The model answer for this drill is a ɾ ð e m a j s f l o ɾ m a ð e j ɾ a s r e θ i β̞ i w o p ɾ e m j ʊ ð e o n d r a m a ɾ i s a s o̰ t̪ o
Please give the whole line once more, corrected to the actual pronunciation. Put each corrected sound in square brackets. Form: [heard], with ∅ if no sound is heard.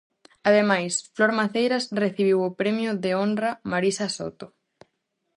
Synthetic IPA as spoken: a [∅] ð e m a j s f l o ɾ m a [θ] e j ɾ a s r e θ i β̞ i w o p ɾ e m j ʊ ð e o n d r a m a ɾ i s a s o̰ t̪ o